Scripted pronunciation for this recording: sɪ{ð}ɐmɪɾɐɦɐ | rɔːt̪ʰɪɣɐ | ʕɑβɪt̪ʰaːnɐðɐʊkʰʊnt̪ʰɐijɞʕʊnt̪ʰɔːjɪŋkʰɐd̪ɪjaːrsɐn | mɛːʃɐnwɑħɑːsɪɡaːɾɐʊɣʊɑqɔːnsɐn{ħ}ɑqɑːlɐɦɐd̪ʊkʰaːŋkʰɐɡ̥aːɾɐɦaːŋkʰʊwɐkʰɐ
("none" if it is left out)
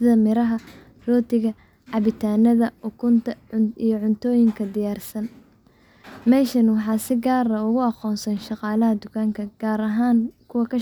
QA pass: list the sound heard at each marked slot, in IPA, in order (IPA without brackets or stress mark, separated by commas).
ð, ʃ